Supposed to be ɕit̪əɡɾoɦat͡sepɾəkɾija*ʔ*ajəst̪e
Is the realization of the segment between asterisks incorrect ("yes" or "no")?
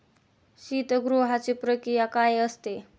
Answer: yes